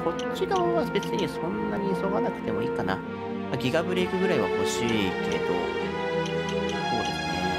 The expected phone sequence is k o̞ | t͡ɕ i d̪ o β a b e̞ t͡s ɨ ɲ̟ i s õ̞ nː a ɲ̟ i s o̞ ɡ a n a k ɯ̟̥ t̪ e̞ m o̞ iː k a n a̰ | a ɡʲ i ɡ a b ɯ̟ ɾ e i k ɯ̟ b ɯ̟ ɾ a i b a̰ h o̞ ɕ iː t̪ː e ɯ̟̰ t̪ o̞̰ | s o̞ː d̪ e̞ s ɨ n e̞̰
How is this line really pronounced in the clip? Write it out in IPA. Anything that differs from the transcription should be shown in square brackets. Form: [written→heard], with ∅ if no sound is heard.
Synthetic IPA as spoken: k o̞ | t͡ɕ i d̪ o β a b e̞ t͡s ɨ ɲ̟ i s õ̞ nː a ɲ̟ i s o̞ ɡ a n a k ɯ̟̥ t̪ e̞ m o̞ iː k a n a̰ | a ɡʲ i ɡ a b ɯ̟ ɾ e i k ɯ̟ [b→ɡ] ɯ̟ ɾ a i [b→β] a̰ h o̞ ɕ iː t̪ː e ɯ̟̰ t̪ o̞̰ | s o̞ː d̪ e̞ s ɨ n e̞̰